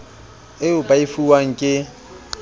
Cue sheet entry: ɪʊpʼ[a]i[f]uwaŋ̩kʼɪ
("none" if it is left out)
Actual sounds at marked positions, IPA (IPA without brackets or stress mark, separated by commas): a, f